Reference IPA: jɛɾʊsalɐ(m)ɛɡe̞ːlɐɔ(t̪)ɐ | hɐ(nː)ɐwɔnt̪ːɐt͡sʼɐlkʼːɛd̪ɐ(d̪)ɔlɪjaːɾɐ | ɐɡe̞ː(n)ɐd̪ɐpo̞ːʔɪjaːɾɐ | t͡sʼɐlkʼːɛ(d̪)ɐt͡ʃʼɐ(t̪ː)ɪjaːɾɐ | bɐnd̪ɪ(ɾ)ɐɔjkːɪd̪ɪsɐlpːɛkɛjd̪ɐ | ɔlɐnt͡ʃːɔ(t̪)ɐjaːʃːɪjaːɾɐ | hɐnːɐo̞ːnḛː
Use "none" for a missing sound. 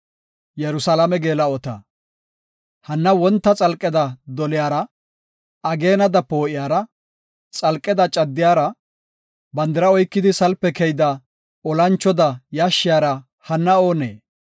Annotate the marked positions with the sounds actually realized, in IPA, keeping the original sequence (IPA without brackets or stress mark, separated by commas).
m, t̪, nː, d̪, n, d̪, d̪ː, ɾ, d̪